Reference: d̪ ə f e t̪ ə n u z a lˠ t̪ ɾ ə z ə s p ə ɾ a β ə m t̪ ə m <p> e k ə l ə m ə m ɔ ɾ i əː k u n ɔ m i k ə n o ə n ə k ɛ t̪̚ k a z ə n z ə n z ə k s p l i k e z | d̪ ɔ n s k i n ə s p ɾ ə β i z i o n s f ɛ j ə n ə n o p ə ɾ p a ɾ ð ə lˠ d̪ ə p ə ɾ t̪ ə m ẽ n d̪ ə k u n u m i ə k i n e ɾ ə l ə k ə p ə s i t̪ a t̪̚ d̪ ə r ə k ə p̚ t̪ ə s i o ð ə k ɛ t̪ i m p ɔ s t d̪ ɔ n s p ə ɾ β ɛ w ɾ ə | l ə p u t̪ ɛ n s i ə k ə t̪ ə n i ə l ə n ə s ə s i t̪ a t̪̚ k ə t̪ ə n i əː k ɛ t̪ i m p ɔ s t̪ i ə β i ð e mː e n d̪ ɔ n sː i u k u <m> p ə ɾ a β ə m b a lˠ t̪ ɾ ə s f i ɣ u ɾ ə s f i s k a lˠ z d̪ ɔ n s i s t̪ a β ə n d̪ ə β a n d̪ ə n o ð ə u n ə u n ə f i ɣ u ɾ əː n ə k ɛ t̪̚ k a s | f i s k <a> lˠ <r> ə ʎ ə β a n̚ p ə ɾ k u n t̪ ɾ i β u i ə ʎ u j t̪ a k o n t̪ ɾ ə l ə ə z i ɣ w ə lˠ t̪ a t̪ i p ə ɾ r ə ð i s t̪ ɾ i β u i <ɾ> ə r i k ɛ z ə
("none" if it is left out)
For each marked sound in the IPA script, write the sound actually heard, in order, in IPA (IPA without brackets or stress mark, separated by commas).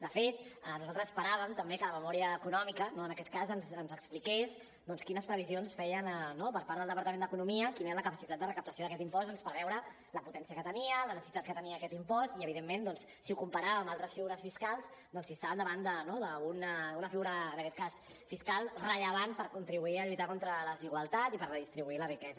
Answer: b, m, a, r, l